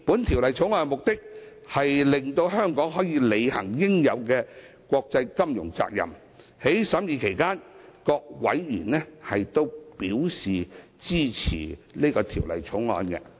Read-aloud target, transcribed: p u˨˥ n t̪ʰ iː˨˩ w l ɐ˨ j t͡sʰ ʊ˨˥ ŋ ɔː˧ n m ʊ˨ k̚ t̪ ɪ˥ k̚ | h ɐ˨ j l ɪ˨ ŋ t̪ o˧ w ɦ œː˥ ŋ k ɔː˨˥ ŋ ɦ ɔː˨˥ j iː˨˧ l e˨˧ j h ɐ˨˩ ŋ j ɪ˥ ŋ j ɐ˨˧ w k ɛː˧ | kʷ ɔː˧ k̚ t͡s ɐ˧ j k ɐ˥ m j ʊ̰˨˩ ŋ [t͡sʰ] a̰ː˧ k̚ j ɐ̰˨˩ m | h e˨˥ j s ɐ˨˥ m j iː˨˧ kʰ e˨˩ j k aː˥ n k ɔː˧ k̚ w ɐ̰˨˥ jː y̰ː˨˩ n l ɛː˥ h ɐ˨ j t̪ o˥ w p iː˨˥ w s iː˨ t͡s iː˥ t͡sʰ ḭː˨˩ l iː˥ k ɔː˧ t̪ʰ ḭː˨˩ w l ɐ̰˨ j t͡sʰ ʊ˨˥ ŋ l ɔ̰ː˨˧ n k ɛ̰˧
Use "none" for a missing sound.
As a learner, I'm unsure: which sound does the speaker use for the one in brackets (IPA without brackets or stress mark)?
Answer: t͡s